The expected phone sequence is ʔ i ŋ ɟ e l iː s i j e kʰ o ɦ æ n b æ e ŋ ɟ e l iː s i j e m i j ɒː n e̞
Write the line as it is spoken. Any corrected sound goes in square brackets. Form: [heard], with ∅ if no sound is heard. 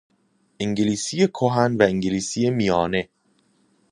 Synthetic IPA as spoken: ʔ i ŋ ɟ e l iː s i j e kʰ o ɦ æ n [v] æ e ŋ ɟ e l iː s i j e m i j ɒː n e̞